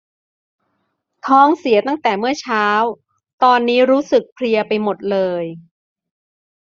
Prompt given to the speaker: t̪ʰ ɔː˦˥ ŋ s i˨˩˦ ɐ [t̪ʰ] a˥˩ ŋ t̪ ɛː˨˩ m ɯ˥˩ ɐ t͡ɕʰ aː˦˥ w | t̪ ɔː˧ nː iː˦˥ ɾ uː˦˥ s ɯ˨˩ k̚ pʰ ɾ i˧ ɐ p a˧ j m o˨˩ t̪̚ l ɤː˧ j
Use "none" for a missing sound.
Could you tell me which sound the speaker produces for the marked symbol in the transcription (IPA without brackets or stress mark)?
t̪